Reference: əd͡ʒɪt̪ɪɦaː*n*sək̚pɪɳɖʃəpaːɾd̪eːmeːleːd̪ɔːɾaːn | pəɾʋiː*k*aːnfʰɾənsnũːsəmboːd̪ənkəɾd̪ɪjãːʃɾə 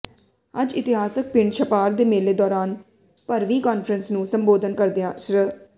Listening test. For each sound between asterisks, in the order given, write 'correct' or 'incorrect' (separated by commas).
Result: incorrect, correct